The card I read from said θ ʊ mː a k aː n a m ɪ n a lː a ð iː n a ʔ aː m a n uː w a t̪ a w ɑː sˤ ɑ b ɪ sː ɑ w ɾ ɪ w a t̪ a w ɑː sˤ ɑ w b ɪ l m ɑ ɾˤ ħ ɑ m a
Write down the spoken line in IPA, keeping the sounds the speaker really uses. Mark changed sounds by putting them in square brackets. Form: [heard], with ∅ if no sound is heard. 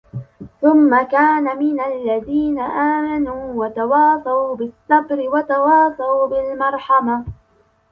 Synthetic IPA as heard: θ ʊ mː a k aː n a m ɪ n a lː a ð iː n a ʔ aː m a n uː w a t̪ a w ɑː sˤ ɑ b ɪ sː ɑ [b] ɾ ɪ w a t̪ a w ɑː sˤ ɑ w b ɪ l m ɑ ɾˤ ħ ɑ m a

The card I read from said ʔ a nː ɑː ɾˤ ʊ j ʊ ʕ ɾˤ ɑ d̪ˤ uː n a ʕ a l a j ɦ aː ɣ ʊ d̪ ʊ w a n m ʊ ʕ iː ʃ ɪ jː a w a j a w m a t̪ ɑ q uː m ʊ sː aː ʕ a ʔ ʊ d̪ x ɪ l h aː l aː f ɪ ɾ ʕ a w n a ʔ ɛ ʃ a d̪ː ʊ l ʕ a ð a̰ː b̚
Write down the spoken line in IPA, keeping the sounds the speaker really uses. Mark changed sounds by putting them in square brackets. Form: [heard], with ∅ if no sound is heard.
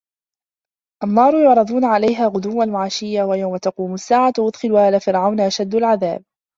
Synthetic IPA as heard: ʔ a nː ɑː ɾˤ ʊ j ʊ ʕ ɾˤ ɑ d̪ˤ uː n a ʕ a l a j ɦ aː ɣ ʊ d̪ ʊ [wː] a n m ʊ ʕ [aː] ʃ ɪ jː a w a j a w m a t̪ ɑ q uː m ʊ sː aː ʕ a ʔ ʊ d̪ x ɪ l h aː l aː f ɪ ɾ ʕ a w n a ʔ [a] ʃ a d̪ː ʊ l ʕ a ð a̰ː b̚

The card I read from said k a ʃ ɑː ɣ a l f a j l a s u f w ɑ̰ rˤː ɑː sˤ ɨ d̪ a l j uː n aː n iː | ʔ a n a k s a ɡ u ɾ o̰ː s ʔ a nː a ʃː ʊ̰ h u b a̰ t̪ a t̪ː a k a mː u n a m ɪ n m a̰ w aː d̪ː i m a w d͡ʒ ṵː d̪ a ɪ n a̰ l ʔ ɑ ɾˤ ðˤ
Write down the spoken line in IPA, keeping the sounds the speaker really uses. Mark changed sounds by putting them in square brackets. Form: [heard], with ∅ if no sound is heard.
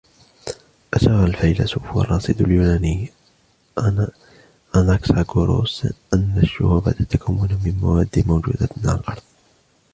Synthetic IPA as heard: [ʔ] a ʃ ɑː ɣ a l f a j l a s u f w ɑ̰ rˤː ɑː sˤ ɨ d̪ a l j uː n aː n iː | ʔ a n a k s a ɡ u ɾ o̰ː s ʔ a nː a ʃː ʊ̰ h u b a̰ t̪ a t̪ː a k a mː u n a m ɪ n m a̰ w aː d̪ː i m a w d͡ʒ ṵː d̪ a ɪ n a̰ l ʔ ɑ ɾˤ ðˤ

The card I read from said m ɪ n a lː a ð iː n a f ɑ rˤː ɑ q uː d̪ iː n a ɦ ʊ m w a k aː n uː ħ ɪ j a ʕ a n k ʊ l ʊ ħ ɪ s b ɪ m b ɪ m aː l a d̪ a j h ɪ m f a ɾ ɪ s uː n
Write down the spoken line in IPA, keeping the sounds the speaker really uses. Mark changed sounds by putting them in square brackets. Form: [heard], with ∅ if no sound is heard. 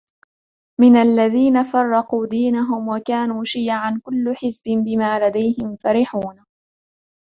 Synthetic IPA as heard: m ɪ n a lː a ð iː n a f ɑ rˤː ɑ q uː d̪ iː n a ɦ ʊ m w a k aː n uː [ʃ] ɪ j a ʕ a n k ʊ [lː] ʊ ħ ɪ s b ɪ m b ɪ m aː l a d̪ a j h ɪ m f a ɾ ɪ [ħ] uː n

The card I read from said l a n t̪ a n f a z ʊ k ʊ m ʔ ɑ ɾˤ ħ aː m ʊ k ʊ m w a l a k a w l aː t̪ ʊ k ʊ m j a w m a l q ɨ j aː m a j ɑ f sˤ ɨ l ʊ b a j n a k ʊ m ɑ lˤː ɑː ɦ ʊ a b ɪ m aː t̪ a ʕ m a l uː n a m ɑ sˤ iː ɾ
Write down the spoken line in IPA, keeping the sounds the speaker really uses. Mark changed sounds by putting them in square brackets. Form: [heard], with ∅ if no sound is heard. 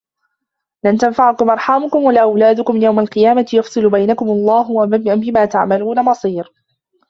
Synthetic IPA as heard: l a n t̪ a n f a [ʕ] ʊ k ʊ m ʔ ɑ ɾˤ ħ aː m ʊ k ʊ m w a l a [ʔ] a w l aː [d̪] ʊ k ʊ m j a w m a l q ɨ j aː m a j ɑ f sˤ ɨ l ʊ b a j n a k ʊ m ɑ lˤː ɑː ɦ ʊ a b ɪ m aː t̪ a ʕ m a l uː n a m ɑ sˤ iː ɾ

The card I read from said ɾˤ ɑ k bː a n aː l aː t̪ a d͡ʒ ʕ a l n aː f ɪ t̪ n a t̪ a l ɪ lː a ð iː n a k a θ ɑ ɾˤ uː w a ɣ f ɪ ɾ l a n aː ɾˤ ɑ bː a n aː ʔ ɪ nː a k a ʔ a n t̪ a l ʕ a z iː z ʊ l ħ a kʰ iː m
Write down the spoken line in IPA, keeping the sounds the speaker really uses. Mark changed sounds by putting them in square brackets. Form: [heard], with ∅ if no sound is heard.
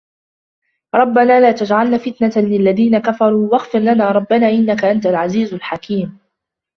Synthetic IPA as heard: ɾˤ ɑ [∅] bː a n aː l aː t̪ a d͡ʒ ʕ a l n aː f ɪ t̪ n a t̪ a l ɪ lː a ð iː n a k a [f] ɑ ɾˤ uː w a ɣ f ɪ ɾ l a n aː ɾˤ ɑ bː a n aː ʔ ɪ nː a k a ʔ a n t̪ a l ʕ a z iː z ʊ l ħ a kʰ iː m

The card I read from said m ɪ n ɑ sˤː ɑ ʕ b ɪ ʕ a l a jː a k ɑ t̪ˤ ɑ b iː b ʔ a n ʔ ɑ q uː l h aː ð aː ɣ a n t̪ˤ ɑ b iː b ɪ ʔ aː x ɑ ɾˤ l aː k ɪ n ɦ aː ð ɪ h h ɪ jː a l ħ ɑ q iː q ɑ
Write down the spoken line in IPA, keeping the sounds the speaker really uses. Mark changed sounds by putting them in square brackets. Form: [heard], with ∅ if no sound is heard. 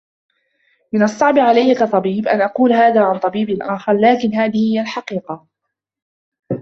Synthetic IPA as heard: m ɪ n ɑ sˤː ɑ ʕ b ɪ ʕ a l a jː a k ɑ t̪ˤ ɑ b iː b ʔ a n ʔ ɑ q uː l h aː ð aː [ʕ] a n t̪ˤ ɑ b iː b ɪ ʔ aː x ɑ ɾˤ l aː k ɪ n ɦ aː ð ɪ h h ɪ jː a l ħ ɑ q iː q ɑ

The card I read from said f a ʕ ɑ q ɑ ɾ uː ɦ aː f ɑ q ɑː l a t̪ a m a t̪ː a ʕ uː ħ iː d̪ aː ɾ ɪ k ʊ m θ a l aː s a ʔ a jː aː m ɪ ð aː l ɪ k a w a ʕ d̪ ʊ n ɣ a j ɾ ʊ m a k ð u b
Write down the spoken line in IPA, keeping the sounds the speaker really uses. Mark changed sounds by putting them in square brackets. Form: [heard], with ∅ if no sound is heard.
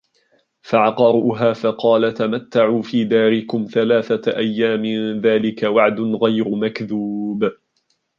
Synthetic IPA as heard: f a ʕ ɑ q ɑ ɾ uː ɦ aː f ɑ q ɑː l a t̪ a m a t̪ː a ʕ uː [f] iː d̪ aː ɾ ɪ k ʊ m θ a l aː [θ] a ʔ a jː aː m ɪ ð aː l ɪ k a w a ʕ d̪ ʊ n ɣ a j ɾ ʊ m a k ð u b

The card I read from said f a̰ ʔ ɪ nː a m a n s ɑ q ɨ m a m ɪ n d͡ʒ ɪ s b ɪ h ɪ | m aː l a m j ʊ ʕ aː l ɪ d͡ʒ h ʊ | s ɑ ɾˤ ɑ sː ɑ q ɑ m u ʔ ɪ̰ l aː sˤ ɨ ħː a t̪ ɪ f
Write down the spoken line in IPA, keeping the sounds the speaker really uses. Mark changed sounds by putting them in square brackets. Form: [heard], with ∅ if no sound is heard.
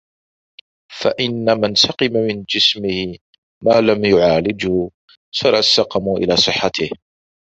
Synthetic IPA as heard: f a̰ ʔ ɪ nː a m a n s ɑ q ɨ m a m ɪ n d͡ʒ ɪ s [m] ɪ h ɪ | m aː l a m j ʊ ʕ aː l ɪ d͡ʒ h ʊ | s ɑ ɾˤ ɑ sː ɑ q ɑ m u ʔ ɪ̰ l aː sˤ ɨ ħː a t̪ ɪ [h]

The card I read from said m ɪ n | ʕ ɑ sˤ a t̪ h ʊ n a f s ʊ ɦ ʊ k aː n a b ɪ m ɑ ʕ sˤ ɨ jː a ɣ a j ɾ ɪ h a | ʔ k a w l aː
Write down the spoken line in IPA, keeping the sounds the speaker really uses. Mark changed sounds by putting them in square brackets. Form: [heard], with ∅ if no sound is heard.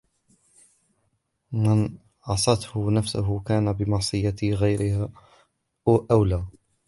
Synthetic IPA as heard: m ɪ n | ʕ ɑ sˤ [ɑ] t̪ h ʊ n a f s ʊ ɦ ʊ k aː n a b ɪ m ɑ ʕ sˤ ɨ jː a ɣ a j ɾ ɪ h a | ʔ [ʔ] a w l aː

